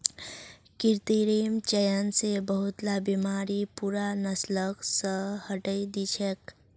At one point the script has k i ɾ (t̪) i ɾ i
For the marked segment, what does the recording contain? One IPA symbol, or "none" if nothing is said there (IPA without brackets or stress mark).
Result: t̪